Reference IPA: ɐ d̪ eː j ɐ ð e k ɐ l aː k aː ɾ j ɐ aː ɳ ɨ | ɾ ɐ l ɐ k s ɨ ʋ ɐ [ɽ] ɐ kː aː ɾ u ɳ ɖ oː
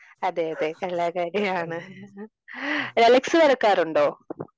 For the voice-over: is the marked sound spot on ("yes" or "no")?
no